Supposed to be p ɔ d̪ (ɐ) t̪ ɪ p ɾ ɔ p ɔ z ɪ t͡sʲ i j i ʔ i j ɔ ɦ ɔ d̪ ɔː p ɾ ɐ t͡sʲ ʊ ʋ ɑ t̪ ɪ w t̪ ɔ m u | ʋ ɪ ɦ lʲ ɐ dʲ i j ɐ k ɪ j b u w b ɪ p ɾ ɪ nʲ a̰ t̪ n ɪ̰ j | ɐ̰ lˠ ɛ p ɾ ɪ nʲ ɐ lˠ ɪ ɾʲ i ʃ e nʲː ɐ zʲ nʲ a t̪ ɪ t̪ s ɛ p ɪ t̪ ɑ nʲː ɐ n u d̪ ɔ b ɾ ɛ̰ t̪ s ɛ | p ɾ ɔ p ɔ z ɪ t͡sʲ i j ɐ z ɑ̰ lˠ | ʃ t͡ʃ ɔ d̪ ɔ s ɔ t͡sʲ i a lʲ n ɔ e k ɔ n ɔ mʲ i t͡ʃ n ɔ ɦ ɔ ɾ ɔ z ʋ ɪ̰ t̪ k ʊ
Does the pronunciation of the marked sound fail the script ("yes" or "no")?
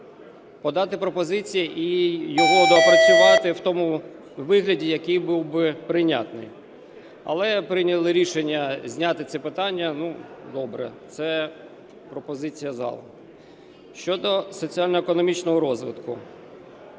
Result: yes